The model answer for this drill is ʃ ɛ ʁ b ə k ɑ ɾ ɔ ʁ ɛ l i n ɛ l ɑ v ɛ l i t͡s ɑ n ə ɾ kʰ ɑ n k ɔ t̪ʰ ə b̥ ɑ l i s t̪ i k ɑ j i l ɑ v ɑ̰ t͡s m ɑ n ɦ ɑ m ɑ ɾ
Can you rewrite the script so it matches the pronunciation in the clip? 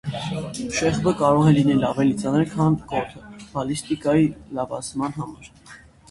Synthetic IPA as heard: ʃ ɛ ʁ b ə k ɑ ɾ ɔ ʁ ɛ l i n ɛ l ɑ v ɛ l i t͡s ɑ n ə ɾ kʰ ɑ n k ɔ t̪ʰ ə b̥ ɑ l i s t̪ i k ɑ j i l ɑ v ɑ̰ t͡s m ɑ n ɦ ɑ m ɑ ɾ